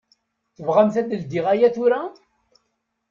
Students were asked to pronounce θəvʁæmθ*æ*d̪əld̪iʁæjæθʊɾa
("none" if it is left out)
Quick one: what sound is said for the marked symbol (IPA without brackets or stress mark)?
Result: æ